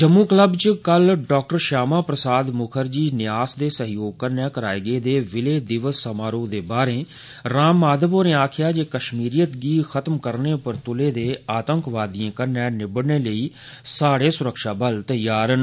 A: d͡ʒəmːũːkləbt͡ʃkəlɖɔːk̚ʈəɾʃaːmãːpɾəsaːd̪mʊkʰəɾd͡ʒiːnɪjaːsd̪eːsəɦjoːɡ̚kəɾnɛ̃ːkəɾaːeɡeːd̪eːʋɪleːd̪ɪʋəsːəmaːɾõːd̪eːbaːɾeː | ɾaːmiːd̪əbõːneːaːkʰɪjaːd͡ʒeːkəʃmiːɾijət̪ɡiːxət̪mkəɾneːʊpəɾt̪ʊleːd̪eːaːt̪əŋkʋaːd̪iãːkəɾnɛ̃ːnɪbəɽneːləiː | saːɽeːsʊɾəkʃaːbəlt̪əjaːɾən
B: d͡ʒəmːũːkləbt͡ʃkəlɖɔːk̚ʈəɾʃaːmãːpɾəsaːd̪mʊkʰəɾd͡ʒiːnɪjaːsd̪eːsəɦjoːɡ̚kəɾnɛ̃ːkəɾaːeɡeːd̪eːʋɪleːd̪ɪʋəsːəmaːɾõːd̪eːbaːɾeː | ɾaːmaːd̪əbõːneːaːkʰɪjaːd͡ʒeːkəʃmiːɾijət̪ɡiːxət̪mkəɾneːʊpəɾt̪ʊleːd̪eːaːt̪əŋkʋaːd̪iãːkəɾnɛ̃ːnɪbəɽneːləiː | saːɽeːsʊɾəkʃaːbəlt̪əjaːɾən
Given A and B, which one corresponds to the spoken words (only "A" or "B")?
B